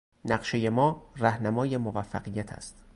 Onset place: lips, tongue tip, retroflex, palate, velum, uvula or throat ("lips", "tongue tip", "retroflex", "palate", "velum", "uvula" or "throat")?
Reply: tongue tip